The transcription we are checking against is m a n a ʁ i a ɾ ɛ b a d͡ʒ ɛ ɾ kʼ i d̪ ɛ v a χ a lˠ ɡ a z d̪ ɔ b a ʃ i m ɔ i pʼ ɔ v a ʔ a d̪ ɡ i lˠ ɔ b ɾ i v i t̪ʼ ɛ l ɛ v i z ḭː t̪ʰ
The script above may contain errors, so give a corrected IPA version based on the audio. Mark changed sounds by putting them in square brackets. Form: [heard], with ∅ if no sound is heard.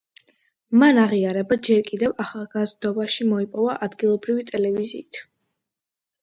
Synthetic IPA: m a n a ʁ i a ɾ ɛ b a d͡ʒ ɛ ɾ kʼ i d̪ ɛ v a χ a lˠ ɡ a z d̪ ɔ b a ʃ i m ɔ i pʼ ɔ v a ʔ a d̪ ɡ i lˠ ɔ b ɾ i v i t̪ʼ ɛ l ɛ v i z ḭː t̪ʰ